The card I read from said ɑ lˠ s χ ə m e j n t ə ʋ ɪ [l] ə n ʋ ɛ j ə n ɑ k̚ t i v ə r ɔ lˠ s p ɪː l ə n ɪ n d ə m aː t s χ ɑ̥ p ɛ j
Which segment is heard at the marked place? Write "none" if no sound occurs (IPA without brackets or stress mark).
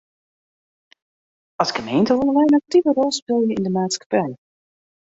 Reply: l